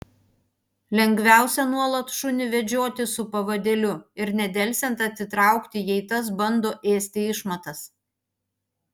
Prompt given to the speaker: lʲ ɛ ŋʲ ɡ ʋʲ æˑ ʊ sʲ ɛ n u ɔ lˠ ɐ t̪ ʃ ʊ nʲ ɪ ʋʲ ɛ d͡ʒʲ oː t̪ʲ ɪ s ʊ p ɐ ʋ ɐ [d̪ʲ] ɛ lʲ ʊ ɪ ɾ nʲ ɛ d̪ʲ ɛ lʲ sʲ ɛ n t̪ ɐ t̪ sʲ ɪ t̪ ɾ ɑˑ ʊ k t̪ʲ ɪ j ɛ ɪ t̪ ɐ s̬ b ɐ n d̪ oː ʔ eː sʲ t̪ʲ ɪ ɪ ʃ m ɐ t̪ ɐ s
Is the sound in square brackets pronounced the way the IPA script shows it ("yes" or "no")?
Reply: yes